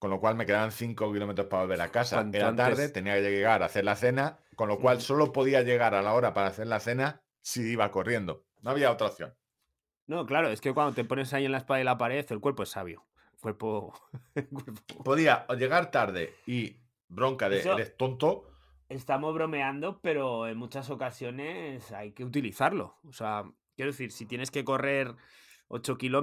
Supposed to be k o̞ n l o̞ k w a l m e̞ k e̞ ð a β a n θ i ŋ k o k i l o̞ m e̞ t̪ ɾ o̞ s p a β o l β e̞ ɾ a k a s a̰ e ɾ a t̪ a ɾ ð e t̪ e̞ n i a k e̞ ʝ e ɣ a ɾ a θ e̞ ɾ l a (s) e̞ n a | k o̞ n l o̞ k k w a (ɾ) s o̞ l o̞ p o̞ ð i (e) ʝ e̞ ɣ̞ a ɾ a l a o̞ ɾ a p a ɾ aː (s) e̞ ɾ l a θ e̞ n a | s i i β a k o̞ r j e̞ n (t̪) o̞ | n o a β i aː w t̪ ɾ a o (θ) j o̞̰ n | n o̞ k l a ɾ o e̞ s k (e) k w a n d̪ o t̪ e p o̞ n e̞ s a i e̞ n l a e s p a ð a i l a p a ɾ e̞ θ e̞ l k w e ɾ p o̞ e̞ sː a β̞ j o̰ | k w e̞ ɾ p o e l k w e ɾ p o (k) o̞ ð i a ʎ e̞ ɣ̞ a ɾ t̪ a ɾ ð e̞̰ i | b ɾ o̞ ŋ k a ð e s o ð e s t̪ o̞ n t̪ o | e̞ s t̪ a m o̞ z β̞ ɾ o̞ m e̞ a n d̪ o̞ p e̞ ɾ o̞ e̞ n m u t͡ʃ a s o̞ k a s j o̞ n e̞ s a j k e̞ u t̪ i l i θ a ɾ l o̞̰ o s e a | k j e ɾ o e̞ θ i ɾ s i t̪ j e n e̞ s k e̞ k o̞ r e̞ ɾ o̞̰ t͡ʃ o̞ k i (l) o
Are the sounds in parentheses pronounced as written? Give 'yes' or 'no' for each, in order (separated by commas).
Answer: no, no, no, no, no, yes, yes, no, yes